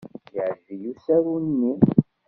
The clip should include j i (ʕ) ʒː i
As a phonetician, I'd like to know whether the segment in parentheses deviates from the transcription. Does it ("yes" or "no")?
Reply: no